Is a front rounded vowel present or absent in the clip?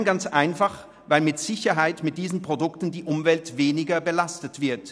absent